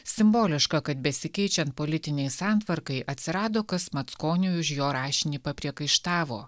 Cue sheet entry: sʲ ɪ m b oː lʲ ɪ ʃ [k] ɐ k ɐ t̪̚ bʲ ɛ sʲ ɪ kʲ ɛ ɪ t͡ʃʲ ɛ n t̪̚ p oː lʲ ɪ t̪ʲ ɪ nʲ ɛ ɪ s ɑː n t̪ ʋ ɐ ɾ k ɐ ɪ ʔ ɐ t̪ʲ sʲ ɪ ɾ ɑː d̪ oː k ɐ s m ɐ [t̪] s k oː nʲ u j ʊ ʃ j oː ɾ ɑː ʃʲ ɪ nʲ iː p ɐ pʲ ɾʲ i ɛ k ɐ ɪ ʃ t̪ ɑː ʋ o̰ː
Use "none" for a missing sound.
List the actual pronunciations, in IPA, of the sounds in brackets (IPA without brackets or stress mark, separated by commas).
k, t̪